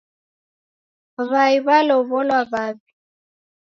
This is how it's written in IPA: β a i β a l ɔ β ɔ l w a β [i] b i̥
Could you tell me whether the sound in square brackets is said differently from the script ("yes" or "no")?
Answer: yes